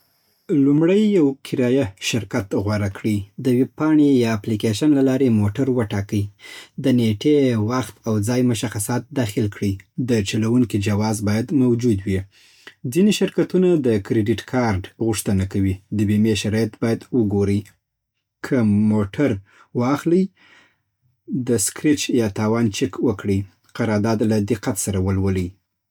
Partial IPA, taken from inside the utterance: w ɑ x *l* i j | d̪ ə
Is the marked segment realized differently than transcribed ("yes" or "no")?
no